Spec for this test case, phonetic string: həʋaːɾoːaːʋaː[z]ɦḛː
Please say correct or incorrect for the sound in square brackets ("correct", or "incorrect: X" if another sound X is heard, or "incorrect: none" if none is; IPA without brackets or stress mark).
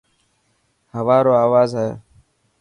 correct